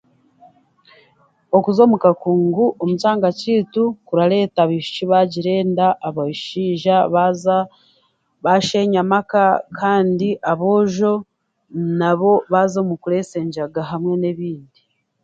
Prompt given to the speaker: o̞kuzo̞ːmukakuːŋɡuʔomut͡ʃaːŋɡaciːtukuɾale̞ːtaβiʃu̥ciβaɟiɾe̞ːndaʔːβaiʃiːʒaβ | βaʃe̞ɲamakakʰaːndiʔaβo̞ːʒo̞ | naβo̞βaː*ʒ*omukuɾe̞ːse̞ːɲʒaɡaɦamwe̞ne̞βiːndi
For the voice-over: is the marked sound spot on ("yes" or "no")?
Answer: no